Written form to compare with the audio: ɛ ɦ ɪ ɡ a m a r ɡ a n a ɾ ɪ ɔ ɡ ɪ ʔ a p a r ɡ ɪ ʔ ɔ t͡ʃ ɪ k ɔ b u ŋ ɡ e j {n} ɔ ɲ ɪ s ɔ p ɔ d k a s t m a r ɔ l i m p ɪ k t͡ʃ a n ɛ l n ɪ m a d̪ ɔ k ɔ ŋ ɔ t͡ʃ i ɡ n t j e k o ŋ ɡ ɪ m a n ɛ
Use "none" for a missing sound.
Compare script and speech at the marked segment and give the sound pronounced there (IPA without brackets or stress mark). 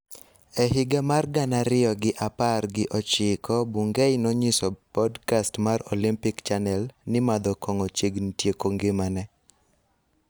n